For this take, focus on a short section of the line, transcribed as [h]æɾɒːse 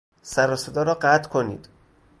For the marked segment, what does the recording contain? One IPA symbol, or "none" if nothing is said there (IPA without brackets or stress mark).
s